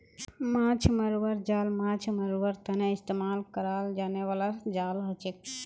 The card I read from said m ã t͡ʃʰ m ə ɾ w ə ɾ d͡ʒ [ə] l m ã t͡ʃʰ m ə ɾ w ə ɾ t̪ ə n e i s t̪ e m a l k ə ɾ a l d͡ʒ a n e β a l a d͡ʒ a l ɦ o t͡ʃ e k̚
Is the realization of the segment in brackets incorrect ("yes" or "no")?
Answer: yes